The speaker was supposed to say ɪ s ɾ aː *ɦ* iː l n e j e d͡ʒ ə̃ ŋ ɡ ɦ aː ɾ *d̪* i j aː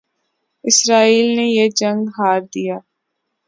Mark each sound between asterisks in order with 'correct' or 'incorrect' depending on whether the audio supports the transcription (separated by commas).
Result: incorrect, correct